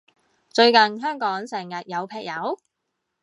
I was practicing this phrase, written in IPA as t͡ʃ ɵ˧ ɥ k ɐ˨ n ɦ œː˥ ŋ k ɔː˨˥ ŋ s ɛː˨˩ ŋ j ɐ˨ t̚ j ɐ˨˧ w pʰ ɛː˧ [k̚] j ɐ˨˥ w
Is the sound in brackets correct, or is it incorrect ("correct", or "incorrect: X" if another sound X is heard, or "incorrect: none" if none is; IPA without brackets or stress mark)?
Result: correct